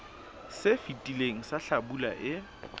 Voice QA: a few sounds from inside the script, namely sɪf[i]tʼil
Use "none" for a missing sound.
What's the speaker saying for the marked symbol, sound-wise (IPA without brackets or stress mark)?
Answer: i